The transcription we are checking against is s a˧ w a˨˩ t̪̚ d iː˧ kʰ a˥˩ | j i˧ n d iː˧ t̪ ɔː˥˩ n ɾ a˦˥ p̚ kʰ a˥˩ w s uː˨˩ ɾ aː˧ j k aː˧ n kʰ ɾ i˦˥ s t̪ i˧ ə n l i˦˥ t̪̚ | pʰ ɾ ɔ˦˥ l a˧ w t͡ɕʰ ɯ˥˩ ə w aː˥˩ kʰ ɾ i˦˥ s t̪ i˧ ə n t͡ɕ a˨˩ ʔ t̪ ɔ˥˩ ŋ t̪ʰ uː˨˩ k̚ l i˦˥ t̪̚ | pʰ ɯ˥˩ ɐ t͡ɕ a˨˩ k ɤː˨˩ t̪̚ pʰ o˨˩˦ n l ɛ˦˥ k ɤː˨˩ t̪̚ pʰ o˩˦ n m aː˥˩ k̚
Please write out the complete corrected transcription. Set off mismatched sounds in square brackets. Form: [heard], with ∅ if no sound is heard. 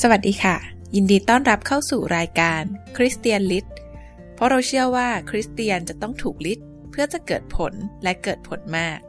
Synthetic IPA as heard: s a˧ w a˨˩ t̪̚ d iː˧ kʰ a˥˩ | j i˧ n d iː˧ t̪ ɔː˥˩ n ɾ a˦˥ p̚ kʰ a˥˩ w s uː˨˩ ɾ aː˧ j k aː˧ n kʰ ɾ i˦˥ s t̪ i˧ ə n l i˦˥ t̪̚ | pʰ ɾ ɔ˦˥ [ɾ] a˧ w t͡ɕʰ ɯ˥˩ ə w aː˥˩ kʰ ɾ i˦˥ s t̪ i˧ ə n t͡ɕ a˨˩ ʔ t̪ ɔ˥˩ ŋ t̪ʰ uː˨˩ k̚ l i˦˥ t̪̚ | pʰ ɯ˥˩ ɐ t͡ɕ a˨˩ k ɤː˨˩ t̪̚ pʰ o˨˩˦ n l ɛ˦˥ k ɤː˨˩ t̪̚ pʰ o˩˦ n m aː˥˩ k̚